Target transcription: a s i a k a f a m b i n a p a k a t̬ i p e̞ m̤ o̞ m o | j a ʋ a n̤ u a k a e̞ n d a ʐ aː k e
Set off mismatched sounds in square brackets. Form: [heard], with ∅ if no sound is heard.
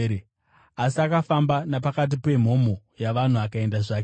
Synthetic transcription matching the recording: a s i a k a f a m b [a] n a p a k a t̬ i p e̞ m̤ o̞ m o | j a ʋ a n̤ u a k a e̞ n d a ʐ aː k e

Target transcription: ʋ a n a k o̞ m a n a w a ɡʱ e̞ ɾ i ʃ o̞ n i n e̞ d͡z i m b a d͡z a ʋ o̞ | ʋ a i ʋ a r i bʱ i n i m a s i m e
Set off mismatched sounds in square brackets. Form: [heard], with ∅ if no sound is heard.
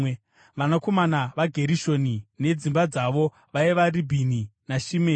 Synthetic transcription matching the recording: ʋ a n a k o̞ m a n a [ʋ] a ɡʱ e̞ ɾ i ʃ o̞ n i n e̞ d͡z i m b a d͡z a ʋ o̞ | ʋ a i ʋ a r i bʱ i n i [n] a [ʃ] i m e

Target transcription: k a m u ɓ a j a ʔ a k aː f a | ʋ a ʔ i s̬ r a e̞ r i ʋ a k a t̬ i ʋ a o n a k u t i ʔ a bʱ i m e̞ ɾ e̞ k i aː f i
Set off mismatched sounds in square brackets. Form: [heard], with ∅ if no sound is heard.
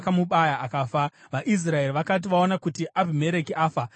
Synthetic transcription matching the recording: k a m u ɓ a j a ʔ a k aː f a | ʋ a ʔ i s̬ r a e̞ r i ʋ a k a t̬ i ʋ a o n a k u t i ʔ a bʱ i m e̞ ɾ e̞ k i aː f [a]

